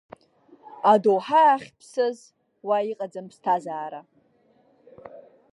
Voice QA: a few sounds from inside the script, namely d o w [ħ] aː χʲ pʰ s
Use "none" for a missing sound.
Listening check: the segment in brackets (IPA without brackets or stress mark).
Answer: ħ